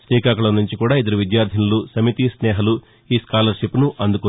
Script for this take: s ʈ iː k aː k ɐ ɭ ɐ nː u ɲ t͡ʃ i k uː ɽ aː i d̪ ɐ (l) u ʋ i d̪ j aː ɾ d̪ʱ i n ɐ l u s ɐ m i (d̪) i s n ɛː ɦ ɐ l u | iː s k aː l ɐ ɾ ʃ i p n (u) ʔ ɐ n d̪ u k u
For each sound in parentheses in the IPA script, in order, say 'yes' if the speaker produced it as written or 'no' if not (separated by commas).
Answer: no, no, yes